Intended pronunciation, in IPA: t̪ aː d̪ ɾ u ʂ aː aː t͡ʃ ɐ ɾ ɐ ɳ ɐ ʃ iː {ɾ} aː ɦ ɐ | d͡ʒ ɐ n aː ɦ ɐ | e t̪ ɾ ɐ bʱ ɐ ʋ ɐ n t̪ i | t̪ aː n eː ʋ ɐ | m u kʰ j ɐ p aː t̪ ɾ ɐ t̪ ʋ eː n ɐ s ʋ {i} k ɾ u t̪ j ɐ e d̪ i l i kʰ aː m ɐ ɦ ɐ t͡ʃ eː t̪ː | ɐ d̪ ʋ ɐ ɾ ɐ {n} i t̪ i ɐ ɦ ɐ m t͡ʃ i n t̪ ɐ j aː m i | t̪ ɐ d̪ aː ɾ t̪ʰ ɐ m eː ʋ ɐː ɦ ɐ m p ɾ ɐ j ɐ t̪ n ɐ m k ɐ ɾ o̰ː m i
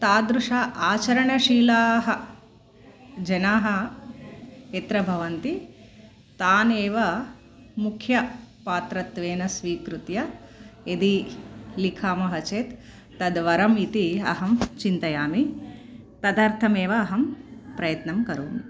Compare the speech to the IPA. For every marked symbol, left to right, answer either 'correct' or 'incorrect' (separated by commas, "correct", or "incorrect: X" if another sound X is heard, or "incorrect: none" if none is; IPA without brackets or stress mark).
incorrect: l, incorrect: iː, incorrect: m